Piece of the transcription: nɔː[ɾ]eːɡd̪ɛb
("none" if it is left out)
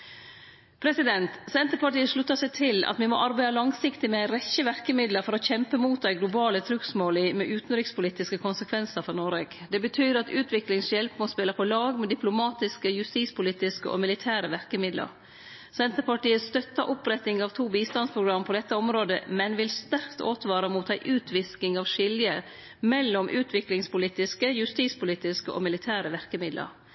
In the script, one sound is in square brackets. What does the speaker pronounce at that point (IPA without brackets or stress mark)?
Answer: ɾ